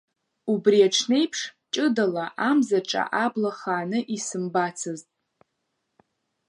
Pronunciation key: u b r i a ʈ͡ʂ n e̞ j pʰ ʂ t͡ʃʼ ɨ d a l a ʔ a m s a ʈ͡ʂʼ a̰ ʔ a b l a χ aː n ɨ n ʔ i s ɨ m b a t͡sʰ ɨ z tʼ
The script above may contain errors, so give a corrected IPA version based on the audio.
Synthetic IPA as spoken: u b r i a ʈ͡ʂʰ n e̞ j pʰ ʂ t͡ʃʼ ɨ d a l a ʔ a m z a ʈ͡ʂʼ a̰ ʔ a b l a χ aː n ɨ ʔ i s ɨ m b a t͡sʰ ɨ z tʼ